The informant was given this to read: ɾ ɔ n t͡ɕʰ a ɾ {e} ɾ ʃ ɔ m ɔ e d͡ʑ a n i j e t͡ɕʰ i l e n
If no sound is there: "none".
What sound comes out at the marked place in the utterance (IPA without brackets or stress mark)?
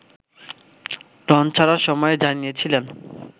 a